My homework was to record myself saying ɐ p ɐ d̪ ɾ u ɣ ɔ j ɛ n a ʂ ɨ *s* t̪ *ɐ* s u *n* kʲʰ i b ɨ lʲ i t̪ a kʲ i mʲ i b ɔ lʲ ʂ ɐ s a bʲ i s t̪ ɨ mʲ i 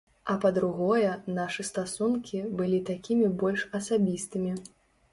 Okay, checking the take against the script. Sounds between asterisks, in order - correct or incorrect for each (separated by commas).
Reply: correct, incorrect, correct